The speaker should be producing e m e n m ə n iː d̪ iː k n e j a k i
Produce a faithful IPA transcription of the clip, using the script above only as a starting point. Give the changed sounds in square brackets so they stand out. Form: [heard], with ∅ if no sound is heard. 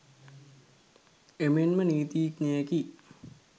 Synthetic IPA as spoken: e m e n m ə n iː [t̪] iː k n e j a k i